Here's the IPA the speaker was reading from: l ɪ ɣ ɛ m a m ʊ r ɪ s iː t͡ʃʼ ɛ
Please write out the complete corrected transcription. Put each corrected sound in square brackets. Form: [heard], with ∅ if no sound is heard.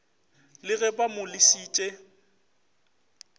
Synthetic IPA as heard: l ɪ ɣ ɛ [b] a m ʊ [l] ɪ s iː t͡ʃʼ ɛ